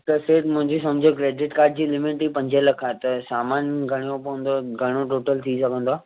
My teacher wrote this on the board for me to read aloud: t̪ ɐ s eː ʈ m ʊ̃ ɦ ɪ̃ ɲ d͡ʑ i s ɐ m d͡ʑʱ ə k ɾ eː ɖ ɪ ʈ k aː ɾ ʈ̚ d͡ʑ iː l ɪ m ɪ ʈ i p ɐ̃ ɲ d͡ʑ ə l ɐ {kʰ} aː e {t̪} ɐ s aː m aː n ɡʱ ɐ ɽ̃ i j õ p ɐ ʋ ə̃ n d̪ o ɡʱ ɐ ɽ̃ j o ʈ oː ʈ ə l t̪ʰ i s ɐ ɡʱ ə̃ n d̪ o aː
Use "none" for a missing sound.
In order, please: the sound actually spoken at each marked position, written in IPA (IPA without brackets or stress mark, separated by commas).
kʰ, t̪